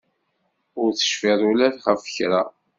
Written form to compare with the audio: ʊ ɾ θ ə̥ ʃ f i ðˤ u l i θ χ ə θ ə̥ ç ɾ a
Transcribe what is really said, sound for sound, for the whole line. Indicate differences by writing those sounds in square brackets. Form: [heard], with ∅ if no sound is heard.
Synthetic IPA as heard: ʊ ɾ θ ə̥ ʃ f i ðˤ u l [æ] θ χ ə [f] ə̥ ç ɾ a